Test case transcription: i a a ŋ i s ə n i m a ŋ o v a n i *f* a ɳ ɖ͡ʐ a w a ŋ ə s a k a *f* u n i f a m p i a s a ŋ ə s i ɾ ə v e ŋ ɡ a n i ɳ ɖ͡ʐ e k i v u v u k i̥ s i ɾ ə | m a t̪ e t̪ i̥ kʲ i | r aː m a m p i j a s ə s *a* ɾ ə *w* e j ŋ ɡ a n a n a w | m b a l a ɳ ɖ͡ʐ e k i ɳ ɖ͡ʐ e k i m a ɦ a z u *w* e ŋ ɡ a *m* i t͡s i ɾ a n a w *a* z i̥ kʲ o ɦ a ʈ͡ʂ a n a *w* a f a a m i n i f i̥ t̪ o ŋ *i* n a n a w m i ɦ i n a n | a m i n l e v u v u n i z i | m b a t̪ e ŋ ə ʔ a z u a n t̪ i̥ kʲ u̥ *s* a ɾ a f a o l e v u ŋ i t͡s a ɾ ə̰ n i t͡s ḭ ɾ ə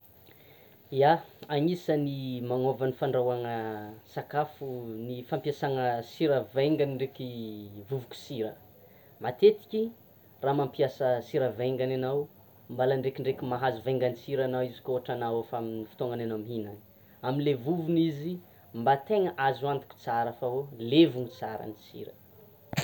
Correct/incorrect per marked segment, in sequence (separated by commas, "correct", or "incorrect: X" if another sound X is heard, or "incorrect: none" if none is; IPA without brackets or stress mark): correct, correct, incorrect: i, incorrect: v, incorrect: v, incorrect: n, incorrect: i, correct, incorrect: a, incorrect: t͡s